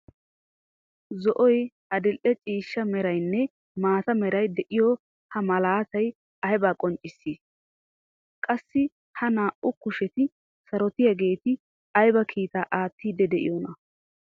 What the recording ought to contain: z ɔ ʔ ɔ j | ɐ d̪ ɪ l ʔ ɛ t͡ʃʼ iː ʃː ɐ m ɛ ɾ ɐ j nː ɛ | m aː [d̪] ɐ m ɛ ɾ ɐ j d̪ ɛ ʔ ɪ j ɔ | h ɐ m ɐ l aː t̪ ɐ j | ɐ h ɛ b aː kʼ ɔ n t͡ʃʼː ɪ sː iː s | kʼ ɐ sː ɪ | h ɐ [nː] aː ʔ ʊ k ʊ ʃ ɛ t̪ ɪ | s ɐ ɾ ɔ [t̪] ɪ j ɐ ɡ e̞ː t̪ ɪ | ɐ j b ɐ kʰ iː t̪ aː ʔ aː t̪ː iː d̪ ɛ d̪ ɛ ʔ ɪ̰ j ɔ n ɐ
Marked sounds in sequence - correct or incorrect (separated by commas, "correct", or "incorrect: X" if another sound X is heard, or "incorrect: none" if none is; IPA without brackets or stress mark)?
incorrect: t̪, incorrect: n, correct